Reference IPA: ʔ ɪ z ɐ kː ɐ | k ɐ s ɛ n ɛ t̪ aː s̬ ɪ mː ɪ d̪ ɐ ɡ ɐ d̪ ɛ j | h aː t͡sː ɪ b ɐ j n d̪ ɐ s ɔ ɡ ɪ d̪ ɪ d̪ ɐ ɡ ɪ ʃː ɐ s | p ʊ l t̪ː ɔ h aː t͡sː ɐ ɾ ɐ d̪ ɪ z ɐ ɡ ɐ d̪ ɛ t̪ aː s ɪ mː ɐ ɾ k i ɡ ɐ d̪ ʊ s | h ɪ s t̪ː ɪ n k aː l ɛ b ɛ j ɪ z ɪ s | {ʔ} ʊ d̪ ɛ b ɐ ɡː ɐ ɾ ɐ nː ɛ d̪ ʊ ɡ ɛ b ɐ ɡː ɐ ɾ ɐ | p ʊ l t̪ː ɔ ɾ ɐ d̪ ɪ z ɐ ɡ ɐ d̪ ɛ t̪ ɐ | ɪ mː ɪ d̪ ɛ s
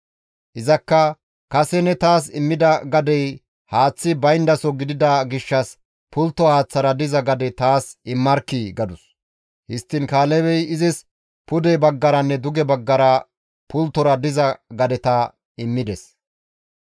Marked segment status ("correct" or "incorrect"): incorrect